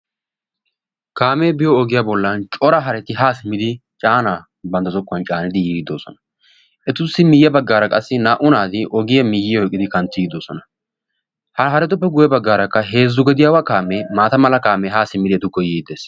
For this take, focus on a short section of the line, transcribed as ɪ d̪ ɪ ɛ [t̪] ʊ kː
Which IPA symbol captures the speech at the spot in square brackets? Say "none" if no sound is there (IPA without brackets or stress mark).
t̪